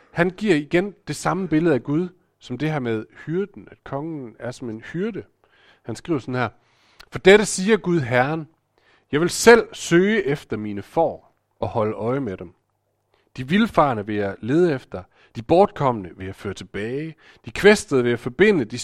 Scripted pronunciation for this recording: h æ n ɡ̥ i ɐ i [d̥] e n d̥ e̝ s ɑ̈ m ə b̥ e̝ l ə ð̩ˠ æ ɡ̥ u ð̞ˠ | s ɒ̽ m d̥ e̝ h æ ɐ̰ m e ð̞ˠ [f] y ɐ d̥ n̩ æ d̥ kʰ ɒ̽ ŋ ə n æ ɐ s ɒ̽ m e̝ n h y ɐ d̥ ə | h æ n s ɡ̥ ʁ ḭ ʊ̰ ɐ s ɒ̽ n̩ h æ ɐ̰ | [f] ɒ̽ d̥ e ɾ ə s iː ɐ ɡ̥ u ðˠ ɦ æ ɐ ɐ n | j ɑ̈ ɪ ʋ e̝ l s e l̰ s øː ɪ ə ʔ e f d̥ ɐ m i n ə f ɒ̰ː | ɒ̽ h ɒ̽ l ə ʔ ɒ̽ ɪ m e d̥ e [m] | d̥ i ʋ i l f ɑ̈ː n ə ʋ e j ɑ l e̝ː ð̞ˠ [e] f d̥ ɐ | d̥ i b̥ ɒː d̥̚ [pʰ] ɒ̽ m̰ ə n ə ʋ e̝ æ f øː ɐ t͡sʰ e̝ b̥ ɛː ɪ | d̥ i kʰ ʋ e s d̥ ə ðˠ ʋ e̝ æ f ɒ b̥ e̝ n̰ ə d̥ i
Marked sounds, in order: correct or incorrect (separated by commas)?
incorrect, incorrect, correct, correct, correct, incorrect